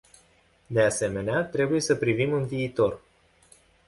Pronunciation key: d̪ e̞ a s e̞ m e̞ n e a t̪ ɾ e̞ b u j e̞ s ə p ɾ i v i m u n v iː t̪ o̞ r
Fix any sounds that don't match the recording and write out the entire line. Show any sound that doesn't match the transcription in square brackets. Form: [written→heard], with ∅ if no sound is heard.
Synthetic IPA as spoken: d̪ e̞ a s e̞ m e̞ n e a t̪ ɾ e̞ b u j e̞ s ə p ɾ i v i m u n v iː t̪ o̞ r